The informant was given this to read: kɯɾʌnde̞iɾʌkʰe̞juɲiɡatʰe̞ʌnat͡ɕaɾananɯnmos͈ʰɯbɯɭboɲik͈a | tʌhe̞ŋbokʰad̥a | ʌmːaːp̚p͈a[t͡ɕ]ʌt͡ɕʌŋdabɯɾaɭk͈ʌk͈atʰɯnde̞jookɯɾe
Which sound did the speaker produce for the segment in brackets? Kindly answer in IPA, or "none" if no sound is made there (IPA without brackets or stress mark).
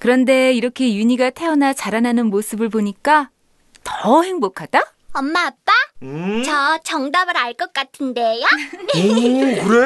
t͡ɕ